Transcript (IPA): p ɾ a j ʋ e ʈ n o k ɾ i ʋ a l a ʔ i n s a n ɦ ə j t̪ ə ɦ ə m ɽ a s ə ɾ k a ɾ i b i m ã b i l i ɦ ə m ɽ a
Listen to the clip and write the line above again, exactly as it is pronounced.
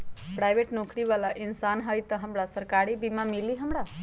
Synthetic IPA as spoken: p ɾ a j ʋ e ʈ n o k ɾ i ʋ a l a ʔ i n s a n ɦ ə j t̪ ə ɦ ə m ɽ a s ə ɾ k a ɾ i b i m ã m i l i ɦ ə m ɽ a